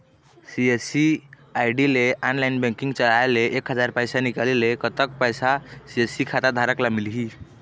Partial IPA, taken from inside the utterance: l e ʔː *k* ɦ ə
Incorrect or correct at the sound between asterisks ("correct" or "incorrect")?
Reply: correct